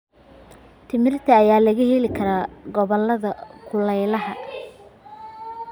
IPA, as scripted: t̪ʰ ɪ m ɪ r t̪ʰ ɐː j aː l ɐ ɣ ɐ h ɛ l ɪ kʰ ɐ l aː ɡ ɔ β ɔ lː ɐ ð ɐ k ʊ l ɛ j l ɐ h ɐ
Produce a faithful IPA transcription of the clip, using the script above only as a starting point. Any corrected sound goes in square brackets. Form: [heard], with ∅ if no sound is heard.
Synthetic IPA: t̪ʰ ɪ m ɪ r t̪ʰ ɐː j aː l ɐ ɣ ɐ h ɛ l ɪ kʰ ɐ [ɾ] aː ɡ ɔ β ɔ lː ɐ ð ɐ [kʰ] ʊ l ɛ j l ɐ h ɐ

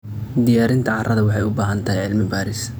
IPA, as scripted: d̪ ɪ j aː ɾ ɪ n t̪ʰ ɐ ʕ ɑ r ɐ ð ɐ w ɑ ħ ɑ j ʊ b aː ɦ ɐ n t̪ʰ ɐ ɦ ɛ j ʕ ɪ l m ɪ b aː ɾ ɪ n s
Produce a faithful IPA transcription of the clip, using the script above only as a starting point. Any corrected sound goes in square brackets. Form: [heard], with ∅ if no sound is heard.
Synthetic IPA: d̪ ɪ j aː ɾ ɪ n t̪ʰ ɐ ʕ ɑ r ɐ ð ɐ w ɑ ħ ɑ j ʊ b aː ɦ ɐ n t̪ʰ ɐ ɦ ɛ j ʕ ɪ l m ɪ b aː ɾ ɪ [∅] s

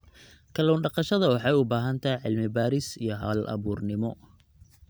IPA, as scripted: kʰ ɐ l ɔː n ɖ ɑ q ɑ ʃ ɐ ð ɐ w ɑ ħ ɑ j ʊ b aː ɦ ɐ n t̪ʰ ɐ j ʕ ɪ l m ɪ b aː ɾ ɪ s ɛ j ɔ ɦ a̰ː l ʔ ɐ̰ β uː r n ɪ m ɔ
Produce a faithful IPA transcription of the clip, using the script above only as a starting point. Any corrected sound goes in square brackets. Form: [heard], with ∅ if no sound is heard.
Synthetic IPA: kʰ ɐ l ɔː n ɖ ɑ q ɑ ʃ ɐ ð ɐ w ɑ ħ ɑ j ʊ b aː ɦ ɐ n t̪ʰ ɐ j ʕ ɪ l m ɪ b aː ɾ ɪ s [i] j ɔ ɦ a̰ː l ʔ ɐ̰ β uː r n ɪ m ɔ

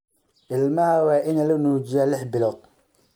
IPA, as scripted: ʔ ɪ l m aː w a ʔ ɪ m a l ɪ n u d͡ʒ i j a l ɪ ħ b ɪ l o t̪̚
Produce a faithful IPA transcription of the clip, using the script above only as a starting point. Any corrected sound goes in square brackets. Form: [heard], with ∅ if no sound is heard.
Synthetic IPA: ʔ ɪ l m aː w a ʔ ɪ [n] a l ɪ n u d͡ʒ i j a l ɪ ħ b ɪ l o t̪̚

